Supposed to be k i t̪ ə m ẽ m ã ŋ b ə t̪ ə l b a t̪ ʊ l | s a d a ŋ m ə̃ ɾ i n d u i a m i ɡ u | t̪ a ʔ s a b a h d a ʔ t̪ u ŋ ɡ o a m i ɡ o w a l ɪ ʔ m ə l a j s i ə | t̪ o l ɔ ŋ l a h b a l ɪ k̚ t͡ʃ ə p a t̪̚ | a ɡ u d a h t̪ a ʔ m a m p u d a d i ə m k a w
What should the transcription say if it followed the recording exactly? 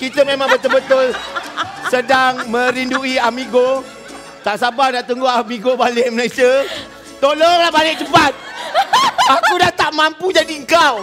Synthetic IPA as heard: k i t̪ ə m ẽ m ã ŋ b ə t̪ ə l b ə t̪ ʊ l | s ə d a ŋ m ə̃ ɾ i n d u i a m i ɡ o | t̪ a ʔ s a b a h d a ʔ t̪ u ŋ ɡ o a m i ɡ o b a l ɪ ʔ m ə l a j s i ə | t̪ o l ɔ ŋ l a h b a l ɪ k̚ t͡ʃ ə p a t̪̚ | a k u d a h t̪ a ʔ m a m p u d͡ʒ a d i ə ŋ k a w

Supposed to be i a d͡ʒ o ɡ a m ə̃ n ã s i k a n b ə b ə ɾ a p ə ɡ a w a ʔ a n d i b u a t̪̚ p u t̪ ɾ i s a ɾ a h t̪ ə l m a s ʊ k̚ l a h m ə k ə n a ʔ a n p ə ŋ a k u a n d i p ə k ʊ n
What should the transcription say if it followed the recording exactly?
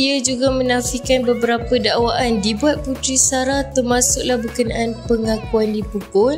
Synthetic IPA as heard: i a d͡ʒ u ɡ a m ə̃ n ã f i k a n b ə b ə ɾ a p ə d a w a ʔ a n d i b u a t̪̚ p u t̪ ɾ i s a ɾ a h t̪ ə r m a s ʊ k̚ l a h b ə k ə n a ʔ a n p ə ŋ a k u a n d i p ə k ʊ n

